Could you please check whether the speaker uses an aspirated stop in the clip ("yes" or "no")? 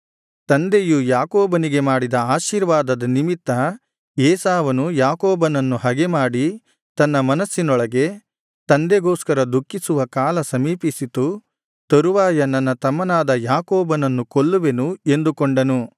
no